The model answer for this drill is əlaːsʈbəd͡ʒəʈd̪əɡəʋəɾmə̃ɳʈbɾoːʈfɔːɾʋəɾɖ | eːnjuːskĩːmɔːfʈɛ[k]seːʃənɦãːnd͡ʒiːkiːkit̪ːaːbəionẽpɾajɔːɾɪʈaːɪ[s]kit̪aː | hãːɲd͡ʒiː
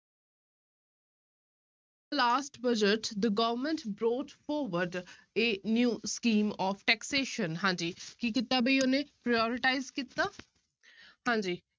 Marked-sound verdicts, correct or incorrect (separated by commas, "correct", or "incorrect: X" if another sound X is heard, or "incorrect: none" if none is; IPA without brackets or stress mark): correct, incorrect: z